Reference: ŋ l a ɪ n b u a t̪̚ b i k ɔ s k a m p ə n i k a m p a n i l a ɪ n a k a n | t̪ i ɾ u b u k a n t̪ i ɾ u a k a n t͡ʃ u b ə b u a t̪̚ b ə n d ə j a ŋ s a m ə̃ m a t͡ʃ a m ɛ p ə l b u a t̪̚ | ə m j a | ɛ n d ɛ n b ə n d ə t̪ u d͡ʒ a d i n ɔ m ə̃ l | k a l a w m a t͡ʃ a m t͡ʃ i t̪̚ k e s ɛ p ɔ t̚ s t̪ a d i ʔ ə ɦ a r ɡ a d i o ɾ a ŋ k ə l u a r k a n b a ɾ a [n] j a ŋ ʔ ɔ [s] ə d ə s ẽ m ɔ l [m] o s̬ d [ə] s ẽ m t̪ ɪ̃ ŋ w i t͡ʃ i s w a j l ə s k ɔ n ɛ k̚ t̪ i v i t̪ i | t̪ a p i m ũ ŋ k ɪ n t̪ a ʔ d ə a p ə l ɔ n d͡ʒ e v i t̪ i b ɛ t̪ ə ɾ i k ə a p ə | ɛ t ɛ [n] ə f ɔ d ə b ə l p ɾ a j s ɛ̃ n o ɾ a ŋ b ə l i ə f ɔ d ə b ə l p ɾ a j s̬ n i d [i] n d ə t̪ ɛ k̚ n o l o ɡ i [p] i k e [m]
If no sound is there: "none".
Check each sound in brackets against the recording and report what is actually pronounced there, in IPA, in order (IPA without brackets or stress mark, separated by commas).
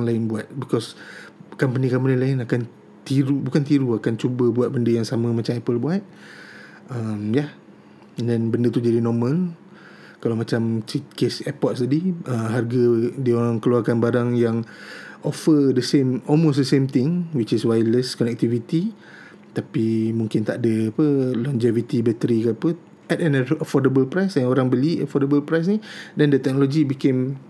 ŋ, f, m, ə, n, ɛ, b, m